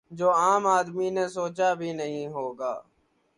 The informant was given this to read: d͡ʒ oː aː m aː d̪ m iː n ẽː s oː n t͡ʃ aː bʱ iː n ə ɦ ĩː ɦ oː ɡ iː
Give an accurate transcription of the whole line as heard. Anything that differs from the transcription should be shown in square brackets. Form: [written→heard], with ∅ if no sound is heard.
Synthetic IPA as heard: d͡ʒ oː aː m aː d̪ m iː n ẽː s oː [n→∅] t͡ʃ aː bʱ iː n ə ɦ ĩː ɦ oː ɡ [iː→aː]

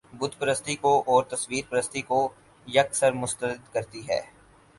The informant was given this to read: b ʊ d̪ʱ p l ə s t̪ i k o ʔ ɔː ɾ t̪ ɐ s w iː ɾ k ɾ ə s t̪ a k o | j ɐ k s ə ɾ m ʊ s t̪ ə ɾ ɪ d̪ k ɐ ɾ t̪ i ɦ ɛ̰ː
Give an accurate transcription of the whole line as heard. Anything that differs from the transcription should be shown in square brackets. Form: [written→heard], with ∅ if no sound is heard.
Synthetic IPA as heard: b ʊ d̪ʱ p [l→ɾ] ə s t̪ i k o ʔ ɔː ɾ t̪ ɐ s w iː ɾ [k→p] ɾ ə s t̪ [a→i] k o | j ɐ k s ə ɾ m ʊ s t̪ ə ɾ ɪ d̪ k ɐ ɾ t̪ i ɦ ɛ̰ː

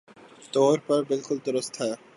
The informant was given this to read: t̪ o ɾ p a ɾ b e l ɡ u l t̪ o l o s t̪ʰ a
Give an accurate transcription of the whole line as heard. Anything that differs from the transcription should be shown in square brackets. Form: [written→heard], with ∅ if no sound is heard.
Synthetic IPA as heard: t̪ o ɾ p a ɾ b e l [ɡ→k] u l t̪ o [l→ɾ] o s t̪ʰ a

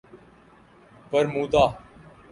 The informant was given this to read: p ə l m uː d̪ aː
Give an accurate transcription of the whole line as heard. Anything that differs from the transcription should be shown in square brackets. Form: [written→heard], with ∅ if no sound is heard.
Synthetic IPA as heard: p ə [l→ɾ] m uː d̪ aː

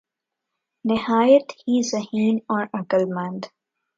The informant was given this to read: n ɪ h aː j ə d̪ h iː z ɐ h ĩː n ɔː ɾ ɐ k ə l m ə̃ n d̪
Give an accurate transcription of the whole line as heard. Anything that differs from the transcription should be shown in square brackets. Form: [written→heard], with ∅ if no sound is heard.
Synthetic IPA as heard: n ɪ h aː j ə [d̪→t̪] h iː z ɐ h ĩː n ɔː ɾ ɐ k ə l m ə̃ n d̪

